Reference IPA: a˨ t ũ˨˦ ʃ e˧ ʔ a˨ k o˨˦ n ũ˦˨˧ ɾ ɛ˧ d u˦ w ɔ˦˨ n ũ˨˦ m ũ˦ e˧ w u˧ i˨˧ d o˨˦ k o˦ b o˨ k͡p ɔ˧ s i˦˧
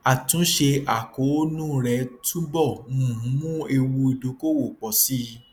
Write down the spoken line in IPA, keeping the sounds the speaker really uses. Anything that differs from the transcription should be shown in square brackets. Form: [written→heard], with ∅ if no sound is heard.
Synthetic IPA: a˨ t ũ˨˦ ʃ e˧ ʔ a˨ k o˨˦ n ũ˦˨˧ ɾ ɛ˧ [d→t] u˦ [w→b] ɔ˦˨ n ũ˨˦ m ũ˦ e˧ w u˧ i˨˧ d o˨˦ k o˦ [b→w] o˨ k͡p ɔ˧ s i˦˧